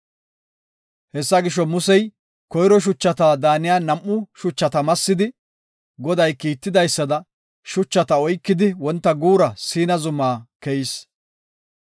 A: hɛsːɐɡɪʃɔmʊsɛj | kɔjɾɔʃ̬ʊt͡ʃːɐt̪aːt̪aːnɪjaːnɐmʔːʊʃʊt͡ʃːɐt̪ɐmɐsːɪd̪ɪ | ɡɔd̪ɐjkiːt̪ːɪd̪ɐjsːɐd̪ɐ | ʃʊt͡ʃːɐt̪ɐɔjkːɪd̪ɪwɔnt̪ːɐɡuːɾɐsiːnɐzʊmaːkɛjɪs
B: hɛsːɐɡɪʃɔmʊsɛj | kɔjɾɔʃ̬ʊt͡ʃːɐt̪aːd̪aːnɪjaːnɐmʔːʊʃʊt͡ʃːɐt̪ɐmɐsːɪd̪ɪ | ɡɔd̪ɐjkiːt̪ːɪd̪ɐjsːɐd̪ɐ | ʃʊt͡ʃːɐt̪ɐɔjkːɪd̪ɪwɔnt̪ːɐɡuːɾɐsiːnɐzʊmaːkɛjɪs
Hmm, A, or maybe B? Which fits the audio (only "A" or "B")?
B